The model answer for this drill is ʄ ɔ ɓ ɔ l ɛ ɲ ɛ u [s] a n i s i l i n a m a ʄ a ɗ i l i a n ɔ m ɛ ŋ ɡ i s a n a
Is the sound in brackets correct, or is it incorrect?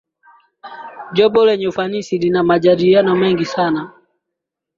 incorrect